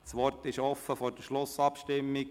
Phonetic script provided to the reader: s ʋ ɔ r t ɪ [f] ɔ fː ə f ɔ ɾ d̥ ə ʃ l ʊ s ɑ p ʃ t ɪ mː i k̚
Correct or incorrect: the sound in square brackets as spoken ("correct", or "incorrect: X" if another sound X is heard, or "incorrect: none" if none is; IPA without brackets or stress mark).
incorrect: ʃ